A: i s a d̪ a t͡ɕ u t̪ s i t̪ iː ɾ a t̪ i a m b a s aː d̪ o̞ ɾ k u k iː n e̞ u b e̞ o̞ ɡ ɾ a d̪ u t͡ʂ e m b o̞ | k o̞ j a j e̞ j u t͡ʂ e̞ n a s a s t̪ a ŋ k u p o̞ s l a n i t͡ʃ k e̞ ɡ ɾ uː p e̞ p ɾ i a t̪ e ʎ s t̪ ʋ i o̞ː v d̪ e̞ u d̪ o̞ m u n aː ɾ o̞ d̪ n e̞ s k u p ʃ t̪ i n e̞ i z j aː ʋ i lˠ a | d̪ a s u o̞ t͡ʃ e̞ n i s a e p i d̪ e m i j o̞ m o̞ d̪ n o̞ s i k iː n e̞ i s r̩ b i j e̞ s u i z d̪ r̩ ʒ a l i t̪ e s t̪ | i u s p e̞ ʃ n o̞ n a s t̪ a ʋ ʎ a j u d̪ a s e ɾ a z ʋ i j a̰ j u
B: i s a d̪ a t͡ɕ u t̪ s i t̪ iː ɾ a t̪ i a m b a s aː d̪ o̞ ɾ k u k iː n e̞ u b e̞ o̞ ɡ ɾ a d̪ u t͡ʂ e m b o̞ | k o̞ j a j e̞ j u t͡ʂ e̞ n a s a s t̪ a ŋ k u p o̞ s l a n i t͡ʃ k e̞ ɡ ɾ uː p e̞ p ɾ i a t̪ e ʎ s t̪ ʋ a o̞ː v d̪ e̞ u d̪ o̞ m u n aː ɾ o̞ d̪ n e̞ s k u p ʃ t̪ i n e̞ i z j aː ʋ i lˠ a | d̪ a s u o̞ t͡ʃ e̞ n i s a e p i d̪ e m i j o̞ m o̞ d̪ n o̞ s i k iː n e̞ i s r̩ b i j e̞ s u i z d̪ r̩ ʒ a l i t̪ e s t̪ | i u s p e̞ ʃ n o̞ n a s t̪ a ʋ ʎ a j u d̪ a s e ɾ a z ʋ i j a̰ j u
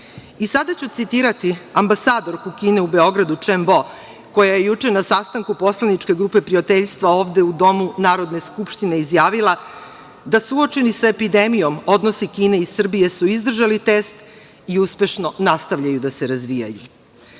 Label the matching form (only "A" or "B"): B